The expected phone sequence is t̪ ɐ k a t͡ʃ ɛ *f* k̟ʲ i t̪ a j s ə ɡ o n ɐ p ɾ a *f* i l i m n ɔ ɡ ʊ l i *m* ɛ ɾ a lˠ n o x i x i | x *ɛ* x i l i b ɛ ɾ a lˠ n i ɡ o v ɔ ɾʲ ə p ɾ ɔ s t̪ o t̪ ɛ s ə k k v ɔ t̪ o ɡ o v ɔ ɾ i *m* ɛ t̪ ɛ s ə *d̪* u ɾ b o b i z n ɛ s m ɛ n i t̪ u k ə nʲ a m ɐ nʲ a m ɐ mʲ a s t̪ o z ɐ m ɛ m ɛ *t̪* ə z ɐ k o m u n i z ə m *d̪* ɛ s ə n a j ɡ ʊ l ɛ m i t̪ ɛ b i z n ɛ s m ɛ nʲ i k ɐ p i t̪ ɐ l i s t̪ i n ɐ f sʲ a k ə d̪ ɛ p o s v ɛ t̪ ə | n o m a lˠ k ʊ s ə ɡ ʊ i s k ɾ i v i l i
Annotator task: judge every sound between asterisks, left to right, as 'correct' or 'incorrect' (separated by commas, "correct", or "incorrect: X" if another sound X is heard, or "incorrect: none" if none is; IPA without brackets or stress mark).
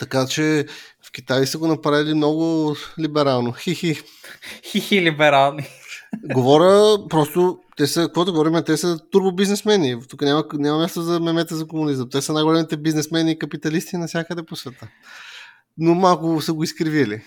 correct, incorrect: v, incorrect: b, incorrect: i, correct, incorrect: t̪, correct, incorrect: t̪